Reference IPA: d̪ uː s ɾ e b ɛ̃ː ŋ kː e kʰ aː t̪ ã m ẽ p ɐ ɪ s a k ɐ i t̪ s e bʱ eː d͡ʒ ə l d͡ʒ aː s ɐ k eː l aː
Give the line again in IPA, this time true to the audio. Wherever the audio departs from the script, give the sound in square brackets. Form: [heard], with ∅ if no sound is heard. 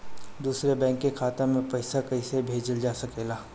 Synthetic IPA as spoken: d̪ uː s ɾ e b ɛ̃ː ŋ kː e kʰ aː t̪ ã m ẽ p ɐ ɪ s a k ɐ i [∅] s e bʱ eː d͡ʒ ə l d͡ʒ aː s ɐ k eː l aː